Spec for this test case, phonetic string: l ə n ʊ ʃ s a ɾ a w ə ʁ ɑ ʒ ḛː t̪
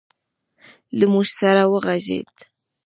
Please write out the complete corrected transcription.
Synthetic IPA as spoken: l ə m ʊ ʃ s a ɾ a w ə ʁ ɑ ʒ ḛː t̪